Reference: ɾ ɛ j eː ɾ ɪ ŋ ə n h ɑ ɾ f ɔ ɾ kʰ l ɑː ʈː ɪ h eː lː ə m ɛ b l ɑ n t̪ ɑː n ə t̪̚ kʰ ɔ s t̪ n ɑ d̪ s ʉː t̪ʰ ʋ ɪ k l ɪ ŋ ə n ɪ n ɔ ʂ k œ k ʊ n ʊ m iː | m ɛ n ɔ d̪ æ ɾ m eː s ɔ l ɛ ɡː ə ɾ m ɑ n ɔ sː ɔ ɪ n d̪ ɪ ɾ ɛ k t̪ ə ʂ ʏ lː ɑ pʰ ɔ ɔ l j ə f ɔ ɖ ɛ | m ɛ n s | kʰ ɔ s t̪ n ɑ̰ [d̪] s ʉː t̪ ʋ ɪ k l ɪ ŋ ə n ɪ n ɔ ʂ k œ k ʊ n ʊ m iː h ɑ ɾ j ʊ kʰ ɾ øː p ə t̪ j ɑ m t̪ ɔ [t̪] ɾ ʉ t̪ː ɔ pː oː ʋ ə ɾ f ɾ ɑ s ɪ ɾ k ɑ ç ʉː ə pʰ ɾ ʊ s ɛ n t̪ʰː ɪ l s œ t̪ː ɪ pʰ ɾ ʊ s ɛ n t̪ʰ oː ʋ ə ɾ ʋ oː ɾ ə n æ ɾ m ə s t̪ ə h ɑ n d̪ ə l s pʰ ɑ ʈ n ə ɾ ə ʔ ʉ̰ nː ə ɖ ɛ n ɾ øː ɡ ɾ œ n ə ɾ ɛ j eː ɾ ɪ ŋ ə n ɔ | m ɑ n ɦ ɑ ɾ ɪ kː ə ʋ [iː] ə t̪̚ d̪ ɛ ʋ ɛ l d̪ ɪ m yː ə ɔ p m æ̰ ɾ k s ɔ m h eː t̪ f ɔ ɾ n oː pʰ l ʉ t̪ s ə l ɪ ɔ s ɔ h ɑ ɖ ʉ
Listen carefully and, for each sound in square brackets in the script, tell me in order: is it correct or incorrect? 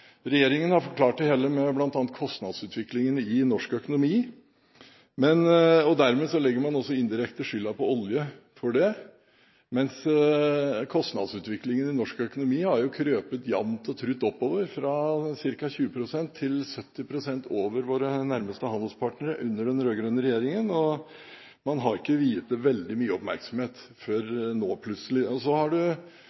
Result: correct, incorrect, correct

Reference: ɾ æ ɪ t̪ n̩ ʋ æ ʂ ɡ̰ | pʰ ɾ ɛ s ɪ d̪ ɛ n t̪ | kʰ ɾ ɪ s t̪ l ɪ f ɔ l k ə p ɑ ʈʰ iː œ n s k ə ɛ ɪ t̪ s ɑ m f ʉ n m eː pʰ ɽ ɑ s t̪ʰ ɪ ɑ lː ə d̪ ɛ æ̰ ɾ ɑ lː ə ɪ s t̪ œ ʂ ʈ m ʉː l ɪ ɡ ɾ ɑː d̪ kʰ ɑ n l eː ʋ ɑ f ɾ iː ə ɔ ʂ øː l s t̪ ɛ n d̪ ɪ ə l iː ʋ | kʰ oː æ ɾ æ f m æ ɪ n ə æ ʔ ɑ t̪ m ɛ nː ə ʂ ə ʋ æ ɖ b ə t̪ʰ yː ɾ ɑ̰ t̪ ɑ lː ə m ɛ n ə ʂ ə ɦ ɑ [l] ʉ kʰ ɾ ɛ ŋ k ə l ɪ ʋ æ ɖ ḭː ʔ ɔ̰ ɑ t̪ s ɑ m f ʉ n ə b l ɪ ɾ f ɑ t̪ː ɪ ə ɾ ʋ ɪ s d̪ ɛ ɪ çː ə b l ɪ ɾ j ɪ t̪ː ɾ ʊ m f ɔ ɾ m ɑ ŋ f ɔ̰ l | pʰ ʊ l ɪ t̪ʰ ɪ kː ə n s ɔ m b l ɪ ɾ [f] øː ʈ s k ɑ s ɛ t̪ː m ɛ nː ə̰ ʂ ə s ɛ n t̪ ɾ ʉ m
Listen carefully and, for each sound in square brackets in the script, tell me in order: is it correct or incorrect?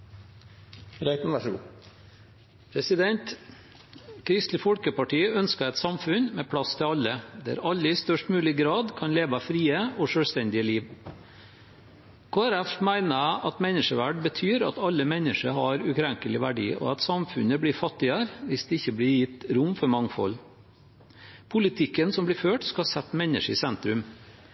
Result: incorrect, correct

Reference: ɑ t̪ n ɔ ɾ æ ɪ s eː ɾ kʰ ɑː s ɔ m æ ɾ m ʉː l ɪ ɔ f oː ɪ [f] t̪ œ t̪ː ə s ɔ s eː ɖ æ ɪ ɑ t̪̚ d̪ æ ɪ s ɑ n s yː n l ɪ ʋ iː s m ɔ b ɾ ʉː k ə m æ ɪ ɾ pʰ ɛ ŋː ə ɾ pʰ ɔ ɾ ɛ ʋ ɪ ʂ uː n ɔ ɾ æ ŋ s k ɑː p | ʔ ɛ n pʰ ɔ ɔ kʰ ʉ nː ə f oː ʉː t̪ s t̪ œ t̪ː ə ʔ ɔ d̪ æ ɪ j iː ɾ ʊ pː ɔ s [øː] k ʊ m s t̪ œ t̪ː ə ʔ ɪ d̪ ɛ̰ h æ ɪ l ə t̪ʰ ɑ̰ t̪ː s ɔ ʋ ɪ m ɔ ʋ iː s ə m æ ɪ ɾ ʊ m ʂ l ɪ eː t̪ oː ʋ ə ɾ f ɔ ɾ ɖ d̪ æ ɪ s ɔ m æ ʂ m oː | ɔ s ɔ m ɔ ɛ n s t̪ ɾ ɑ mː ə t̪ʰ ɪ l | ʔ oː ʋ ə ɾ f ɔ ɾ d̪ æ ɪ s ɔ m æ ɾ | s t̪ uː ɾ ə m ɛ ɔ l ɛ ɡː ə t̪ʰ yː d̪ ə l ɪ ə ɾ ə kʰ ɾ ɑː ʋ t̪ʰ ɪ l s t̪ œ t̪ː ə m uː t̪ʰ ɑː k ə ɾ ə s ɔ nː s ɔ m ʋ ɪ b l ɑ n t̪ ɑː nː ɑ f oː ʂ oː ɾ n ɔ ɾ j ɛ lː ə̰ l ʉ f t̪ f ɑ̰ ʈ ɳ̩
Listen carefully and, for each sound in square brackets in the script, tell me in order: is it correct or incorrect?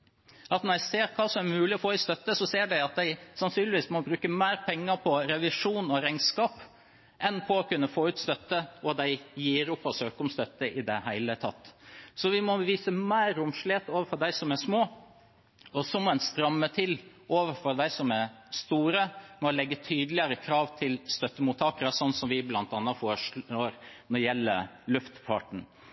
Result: incorrect, correct

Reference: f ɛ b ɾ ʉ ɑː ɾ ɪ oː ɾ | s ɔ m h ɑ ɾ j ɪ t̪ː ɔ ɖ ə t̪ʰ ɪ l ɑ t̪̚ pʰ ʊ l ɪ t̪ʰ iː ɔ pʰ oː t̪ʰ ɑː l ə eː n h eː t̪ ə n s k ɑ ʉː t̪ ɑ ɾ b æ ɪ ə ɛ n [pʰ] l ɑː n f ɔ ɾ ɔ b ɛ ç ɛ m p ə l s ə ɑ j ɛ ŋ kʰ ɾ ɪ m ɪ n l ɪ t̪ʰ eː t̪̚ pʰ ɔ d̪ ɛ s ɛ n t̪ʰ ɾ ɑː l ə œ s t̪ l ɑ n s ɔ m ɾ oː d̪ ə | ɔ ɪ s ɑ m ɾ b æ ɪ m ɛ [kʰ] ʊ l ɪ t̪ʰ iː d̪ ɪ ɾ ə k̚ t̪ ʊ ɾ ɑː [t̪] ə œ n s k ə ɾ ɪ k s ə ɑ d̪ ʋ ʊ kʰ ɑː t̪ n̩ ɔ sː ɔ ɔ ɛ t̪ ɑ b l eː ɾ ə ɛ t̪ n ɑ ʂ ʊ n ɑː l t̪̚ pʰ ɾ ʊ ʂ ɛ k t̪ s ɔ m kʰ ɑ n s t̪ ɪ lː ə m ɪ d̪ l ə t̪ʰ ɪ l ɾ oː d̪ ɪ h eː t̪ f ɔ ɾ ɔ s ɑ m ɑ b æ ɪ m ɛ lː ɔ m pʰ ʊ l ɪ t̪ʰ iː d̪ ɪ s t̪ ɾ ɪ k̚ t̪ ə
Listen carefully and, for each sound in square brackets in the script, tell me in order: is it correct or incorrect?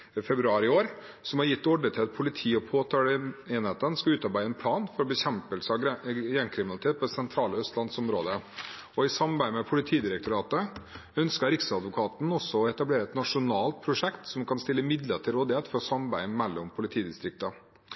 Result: correct, incorrect, correct

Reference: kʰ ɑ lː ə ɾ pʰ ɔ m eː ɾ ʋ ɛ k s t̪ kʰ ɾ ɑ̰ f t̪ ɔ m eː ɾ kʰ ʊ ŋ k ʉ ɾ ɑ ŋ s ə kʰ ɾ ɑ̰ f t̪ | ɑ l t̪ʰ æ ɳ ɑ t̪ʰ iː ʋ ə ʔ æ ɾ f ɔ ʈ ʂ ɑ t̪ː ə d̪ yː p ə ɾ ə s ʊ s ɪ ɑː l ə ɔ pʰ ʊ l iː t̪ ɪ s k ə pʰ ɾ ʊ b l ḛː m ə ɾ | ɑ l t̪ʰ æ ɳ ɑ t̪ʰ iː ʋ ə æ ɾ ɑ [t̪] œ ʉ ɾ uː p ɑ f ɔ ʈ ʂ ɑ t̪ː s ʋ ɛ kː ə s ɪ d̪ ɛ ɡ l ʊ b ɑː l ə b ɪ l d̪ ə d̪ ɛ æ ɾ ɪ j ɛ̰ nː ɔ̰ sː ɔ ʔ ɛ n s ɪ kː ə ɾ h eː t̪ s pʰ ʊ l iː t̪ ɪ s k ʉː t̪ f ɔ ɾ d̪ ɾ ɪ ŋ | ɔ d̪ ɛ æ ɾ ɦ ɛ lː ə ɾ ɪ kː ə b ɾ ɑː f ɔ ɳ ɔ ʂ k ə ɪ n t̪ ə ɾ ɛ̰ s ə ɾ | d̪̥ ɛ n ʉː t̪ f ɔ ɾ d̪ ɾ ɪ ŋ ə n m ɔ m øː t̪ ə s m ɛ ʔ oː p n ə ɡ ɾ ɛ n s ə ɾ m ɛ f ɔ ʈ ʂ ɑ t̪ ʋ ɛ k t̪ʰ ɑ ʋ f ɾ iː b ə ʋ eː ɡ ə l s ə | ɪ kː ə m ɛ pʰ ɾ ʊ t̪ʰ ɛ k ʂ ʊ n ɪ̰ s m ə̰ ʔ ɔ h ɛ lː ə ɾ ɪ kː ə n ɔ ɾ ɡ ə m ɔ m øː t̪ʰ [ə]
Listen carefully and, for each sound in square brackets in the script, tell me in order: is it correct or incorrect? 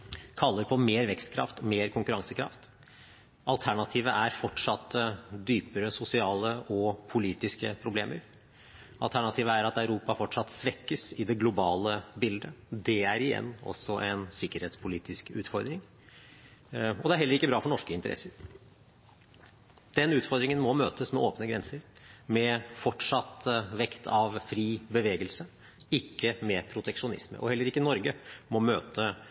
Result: correct, correct

